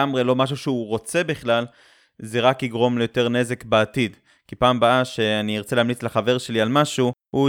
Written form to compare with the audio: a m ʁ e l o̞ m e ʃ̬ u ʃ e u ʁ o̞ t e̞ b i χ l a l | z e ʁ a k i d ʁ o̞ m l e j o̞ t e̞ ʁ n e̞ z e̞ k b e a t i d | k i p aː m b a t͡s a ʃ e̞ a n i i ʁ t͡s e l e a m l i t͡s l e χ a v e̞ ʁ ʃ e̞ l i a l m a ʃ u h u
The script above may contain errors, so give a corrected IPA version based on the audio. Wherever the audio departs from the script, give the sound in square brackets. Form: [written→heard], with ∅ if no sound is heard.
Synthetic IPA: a m ʁ e l o̞ m [e→a] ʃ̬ u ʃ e u ʁ o̞ [t→t͡s] e̞ b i χ l a l | z e ʁ a k i [d→ɡ] ʁ o̞ m l e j o̞ t e̞ ʁ n e̞ z e̞ k b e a t i d | k i p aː m b a [t͡s→∅] a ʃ e̞ a n i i ʁ t͡s e l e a m l i t͡s l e χ a v e̞ ʁ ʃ e̞ l i a l m a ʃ u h u